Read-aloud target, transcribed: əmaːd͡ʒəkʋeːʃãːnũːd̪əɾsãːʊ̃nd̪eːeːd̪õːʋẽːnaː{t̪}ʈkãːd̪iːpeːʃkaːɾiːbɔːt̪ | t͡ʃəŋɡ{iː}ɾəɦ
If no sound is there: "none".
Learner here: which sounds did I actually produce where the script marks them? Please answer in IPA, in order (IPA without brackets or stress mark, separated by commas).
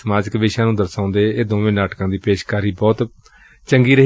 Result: none, iː